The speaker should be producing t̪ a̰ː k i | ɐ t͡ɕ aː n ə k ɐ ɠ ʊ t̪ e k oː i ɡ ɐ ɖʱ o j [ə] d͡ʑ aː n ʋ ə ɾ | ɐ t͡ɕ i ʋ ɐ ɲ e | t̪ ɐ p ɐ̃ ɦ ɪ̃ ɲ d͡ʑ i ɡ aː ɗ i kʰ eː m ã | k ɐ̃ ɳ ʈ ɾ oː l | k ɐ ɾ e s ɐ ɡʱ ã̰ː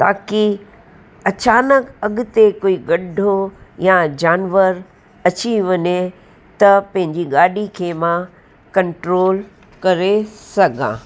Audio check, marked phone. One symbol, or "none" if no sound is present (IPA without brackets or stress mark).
a